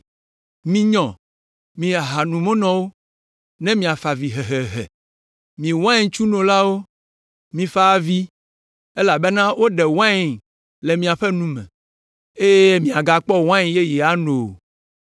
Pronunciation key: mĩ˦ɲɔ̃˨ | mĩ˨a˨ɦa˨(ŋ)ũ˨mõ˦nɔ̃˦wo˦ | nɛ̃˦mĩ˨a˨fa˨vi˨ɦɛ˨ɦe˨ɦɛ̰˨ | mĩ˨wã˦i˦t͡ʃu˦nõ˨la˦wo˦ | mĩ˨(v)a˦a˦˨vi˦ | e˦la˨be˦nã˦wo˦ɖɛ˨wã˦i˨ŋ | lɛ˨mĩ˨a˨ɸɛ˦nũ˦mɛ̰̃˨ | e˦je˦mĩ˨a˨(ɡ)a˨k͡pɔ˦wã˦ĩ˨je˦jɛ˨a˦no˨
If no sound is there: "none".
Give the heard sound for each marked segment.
n, f, ɡ

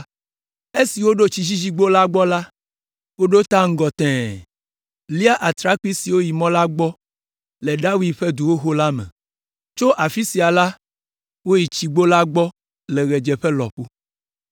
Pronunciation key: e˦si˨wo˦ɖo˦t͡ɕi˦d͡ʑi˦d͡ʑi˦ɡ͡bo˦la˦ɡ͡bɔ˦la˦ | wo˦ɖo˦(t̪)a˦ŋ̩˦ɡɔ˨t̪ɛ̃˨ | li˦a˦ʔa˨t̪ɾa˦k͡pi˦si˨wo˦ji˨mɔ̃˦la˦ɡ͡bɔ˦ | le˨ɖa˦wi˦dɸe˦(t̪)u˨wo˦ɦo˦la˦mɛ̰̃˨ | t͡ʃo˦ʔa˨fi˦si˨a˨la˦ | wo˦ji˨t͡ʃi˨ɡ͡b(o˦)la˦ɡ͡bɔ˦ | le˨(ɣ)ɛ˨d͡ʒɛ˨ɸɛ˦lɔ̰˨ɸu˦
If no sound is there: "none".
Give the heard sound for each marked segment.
t̪, d̪, o˦, ɣ

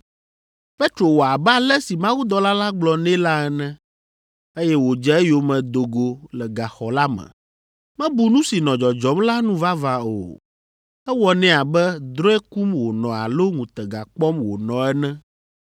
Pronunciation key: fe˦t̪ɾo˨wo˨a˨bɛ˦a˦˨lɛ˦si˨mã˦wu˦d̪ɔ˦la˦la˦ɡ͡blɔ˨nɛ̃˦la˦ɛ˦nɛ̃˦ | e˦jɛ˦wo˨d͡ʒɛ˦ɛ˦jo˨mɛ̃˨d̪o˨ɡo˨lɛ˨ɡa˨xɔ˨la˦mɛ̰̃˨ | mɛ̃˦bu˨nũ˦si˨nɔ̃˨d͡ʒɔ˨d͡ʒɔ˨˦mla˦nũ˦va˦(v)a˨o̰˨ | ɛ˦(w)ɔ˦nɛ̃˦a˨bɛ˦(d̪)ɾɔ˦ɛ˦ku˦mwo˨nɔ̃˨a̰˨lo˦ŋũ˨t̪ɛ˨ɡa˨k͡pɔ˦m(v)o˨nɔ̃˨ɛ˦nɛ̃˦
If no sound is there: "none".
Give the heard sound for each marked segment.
v, w, d̪, w

